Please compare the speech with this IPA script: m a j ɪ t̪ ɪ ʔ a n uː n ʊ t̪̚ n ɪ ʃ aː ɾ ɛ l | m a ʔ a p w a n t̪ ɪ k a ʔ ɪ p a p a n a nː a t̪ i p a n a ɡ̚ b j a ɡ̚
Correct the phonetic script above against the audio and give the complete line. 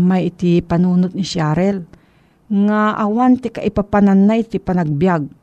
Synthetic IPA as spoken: m a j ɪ t̪ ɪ p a n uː n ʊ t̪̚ n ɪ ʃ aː ɾ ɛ l | ŋ a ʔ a w a n t̪ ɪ k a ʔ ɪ p a p a n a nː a t̪ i p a n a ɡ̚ b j a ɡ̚